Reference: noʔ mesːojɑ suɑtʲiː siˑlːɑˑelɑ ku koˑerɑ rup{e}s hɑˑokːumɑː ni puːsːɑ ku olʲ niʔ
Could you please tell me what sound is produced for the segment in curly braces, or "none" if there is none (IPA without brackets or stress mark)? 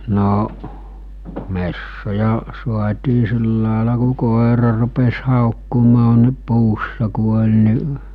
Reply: e